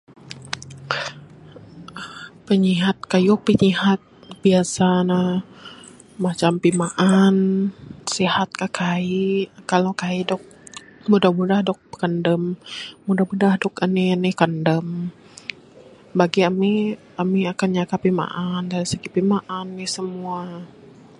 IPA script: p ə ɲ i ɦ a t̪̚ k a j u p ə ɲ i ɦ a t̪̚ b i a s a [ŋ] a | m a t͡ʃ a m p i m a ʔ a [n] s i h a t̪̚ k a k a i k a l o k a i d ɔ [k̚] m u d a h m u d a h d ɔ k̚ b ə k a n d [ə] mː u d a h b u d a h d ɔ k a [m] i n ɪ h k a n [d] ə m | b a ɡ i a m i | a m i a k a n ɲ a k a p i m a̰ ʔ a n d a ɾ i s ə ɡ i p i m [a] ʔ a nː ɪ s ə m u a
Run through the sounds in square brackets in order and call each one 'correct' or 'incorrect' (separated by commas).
incorrect, correct, correct, correct, incorrect, correct, correct